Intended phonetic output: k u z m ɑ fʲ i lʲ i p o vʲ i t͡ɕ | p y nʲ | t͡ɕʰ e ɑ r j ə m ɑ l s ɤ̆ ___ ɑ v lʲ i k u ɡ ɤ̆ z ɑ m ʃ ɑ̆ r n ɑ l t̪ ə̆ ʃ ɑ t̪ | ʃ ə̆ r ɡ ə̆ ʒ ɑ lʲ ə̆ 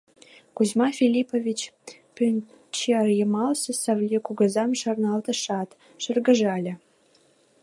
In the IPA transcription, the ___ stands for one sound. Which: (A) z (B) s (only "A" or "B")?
B